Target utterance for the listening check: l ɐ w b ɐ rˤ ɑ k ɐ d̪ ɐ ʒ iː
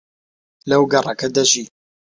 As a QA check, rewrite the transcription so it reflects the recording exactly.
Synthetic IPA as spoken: l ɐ w ɡ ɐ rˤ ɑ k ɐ d̪ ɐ ʒ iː